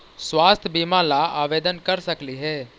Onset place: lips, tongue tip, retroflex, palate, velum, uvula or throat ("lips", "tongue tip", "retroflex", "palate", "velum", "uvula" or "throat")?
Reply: tongue tip